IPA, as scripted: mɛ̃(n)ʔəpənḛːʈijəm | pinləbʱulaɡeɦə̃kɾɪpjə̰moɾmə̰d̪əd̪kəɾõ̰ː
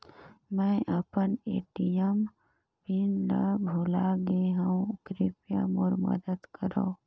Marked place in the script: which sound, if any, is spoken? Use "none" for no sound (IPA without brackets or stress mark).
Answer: none